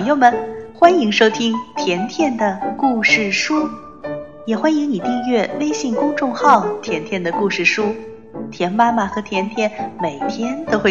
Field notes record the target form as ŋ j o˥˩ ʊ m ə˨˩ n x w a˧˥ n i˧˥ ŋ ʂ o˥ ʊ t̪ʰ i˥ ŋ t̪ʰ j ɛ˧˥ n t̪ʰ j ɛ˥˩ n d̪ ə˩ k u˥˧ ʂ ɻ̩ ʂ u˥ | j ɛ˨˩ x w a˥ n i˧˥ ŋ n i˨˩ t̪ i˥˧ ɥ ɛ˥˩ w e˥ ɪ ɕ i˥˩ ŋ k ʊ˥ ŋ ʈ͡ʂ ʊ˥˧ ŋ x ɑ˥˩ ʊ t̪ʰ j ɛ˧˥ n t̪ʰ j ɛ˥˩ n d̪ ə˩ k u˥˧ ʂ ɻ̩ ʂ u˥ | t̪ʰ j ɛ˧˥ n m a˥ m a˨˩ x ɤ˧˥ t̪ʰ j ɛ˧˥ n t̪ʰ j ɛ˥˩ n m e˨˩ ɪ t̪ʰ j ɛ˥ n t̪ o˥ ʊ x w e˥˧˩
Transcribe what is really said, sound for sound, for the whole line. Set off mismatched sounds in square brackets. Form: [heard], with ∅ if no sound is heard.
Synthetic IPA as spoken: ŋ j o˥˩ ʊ m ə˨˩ n x w [a˥] n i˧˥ ŋ ʂ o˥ ʊ t̪ʰ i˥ ŋ t̪ʰ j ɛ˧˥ n t̪ʰ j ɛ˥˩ n d̪ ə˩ k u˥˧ ʂ ɻ̩ ʂ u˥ | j ɛ˨˩ x w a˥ n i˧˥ ŋ n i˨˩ t̪ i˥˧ ɥ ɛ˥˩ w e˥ ɪ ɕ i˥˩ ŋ k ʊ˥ ŋ ʈ͡ʂ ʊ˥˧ ŋ x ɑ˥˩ ʊ t̪ʰ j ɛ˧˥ n t̪ʰ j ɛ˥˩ n d̪ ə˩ k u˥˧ ʂ ɻ̩ ʂ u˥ | t̪ʰ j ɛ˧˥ n m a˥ m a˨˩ x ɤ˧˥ t̪ʰ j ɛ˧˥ n t̪ʰ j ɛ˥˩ n m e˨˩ ɪ t̪ʰ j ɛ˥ n t̪ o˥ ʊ x w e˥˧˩